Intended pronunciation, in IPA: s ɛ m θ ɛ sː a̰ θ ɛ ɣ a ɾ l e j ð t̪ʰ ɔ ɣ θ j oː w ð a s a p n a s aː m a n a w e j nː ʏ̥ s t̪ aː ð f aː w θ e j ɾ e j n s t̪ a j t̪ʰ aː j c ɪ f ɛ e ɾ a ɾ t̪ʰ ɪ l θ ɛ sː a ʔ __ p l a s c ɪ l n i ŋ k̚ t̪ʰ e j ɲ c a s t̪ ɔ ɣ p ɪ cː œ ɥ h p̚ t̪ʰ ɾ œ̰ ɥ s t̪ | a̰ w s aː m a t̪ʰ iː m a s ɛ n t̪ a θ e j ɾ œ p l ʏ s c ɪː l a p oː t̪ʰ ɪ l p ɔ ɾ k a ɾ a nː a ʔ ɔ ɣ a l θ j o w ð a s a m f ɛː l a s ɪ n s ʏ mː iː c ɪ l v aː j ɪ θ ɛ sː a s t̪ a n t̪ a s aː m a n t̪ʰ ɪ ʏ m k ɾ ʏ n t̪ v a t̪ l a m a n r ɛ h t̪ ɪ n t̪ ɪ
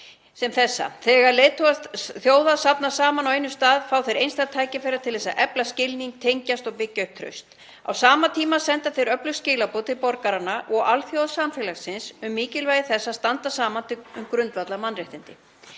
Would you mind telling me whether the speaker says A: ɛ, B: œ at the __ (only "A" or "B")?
A